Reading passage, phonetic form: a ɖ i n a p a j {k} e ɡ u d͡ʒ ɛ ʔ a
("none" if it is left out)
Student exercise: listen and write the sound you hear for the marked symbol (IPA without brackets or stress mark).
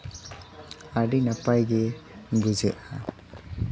ɡ